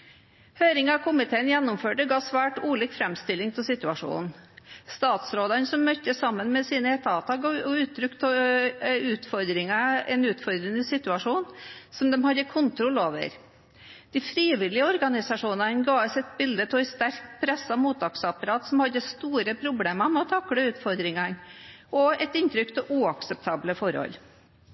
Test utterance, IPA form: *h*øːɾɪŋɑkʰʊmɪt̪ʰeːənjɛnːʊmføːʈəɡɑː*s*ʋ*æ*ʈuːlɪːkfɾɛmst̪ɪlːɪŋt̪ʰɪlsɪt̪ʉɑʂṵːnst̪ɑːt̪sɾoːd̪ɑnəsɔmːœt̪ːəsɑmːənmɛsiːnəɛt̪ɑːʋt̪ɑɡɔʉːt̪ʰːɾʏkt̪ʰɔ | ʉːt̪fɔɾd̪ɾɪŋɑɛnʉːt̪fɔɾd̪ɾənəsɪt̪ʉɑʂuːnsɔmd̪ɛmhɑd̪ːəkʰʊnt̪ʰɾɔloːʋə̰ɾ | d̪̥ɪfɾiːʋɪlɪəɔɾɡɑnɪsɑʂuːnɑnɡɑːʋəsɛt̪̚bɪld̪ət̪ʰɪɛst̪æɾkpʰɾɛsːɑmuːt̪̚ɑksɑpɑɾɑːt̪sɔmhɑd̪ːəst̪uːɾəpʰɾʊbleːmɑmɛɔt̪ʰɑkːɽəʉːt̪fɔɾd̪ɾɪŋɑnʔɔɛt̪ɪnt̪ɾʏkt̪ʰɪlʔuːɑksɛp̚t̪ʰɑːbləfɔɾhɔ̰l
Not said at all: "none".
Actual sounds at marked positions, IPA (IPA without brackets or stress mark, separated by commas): h, s, æː